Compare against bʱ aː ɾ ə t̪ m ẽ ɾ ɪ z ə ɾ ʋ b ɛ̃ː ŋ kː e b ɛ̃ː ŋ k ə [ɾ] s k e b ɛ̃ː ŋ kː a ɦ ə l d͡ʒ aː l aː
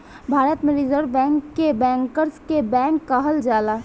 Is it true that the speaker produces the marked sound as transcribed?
yes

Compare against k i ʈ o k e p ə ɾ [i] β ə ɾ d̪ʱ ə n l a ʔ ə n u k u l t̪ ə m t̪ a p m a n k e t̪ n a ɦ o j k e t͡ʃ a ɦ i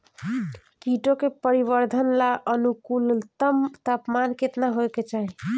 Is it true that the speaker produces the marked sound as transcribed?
yes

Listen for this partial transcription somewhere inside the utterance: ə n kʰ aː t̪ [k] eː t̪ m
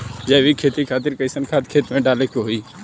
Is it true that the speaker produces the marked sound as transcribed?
no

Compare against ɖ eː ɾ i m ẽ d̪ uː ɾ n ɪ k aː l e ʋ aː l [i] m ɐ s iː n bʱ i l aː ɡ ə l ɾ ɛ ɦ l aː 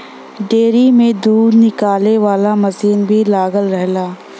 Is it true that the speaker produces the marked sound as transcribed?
no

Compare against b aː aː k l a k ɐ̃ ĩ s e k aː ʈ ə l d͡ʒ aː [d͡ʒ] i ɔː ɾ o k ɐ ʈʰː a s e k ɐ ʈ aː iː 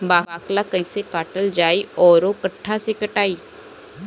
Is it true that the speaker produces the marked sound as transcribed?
no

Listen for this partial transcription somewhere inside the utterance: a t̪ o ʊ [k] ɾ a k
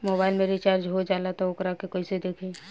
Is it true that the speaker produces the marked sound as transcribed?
yes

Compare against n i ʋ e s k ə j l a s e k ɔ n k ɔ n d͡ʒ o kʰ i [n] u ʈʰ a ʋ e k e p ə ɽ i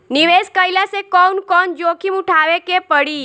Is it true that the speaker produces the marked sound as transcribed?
no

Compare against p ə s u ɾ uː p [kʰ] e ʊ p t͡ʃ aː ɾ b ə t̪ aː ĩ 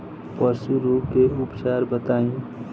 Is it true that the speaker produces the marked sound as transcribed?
no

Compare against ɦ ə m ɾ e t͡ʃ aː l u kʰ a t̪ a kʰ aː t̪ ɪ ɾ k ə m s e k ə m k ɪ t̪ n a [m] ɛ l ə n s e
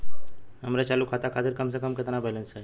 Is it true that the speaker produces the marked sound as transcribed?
no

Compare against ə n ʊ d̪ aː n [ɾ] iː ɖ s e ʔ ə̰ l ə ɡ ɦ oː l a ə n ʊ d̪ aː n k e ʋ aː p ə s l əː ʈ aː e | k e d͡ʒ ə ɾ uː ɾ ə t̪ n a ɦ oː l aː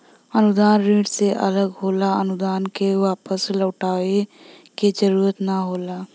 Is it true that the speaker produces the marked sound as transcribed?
yes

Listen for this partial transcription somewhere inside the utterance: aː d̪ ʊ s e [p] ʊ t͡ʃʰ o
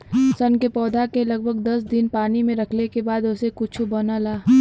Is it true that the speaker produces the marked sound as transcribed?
no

